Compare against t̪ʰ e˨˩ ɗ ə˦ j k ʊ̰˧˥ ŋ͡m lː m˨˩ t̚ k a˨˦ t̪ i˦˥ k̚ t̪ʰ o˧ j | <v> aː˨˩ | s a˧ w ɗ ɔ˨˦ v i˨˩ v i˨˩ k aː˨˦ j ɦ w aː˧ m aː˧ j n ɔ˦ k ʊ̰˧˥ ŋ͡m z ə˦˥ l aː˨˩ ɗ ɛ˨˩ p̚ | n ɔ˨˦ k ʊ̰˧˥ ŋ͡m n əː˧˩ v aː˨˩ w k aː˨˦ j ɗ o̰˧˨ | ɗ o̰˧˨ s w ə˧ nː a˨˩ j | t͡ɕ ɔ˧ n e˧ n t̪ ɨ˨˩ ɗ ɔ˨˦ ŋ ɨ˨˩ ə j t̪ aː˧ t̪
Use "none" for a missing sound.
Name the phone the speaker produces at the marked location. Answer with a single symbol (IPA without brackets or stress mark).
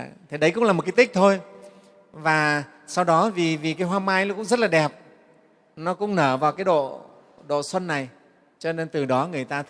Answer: v